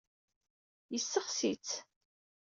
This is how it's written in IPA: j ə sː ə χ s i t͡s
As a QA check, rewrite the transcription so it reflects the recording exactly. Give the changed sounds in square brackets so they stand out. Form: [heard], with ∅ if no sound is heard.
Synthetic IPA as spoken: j ə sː ə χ s i t͡s